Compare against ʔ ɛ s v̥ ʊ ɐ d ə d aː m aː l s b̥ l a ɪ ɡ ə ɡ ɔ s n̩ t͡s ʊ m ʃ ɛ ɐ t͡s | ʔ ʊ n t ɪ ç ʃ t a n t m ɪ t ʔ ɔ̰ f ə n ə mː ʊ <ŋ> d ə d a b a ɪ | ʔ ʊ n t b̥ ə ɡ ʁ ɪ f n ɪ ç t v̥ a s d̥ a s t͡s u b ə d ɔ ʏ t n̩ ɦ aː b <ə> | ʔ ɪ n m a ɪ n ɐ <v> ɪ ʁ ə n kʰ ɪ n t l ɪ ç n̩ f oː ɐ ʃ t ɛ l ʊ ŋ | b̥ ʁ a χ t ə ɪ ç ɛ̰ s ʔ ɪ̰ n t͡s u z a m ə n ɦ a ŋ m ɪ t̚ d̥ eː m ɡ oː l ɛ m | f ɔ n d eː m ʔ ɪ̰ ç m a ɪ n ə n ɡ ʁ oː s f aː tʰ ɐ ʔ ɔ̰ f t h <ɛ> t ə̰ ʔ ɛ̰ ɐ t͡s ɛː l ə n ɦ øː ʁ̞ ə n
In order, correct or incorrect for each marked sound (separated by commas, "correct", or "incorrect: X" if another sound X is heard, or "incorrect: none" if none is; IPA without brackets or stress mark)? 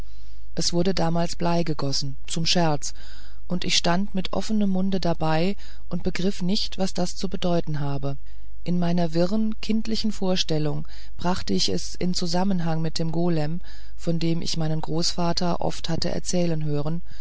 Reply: incorrect: n, correct, correct, incorrect: a